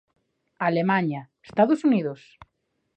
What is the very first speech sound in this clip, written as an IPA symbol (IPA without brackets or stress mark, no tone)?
a